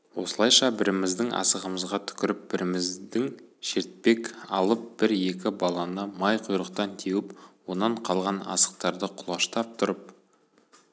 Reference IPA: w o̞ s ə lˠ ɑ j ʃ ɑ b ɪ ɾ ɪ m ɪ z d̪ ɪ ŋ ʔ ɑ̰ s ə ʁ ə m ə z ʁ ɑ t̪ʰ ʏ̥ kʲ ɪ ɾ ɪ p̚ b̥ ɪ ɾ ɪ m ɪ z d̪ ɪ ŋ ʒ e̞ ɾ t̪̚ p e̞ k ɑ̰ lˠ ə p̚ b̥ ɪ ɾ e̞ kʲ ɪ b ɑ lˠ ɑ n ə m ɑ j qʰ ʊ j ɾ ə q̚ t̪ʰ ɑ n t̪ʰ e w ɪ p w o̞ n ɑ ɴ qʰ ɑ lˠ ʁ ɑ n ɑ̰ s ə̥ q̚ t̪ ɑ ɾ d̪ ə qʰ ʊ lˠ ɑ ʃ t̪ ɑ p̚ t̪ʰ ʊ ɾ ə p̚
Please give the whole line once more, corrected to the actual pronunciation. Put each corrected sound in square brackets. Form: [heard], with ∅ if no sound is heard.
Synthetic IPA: w o̞ s ə lˠ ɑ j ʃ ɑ b ɪ ɾ ɪ m ɪ z d̪ ɪ ŋ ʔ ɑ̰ s ə ʁ ə m ə z ʁ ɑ t̪ʰ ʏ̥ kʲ ɪ ɾ ɪ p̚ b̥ ɪ ɾ ɪ m ɪ z d̪ ɪ ŋ [ʃ] e̞ ɾ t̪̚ p e̞ k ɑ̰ lˠ ə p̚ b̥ ɪ ɾ e̞ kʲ ɪ b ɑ lˠ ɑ n ə m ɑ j qʰ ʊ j ɾ ə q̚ [t̪] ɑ n t̪ʰ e w ɪ p w o̞ n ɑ ɴ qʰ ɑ lˠ ʁ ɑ n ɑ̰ s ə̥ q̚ t̪ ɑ ɾ d̪ ə qʰ ʊ lˠ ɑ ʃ t̪ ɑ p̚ t̪ʰ ʊ ɾ ə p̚